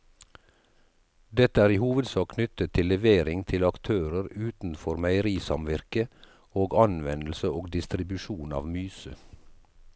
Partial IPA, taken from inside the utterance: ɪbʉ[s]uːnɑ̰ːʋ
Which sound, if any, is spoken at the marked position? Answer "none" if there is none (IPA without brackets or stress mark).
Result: ʃ